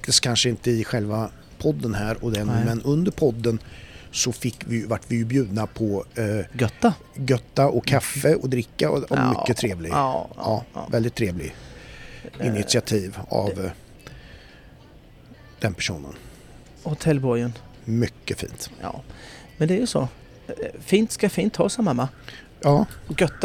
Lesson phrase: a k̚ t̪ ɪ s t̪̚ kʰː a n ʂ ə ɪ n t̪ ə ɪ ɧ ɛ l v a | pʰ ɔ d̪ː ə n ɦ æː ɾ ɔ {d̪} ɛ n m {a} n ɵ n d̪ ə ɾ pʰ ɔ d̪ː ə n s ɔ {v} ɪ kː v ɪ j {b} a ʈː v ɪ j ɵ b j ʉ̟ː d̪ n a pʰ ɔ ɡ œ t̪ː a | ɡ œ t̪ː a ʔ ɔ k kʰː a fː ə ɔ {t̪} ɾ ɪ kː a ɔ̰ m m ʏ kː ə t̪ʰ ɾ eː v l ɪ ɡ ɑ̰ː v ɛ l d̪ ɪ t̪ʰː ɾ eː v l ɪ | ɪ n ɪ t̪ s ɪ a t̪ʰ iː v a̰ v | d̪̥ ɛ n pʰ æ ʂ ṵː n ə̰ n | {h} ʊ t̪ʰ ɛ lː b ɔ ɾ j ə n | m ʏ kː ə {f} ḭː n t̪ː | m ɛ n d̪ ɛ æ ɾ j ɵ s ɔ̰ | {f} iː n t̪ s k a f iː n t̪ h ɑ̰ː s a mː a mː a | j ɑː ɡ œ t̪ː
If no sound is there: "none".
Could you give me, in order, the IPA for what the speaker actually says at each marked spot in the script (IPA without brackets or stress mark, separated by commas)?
d̪, ɛ, f, v, d̪, h, f, f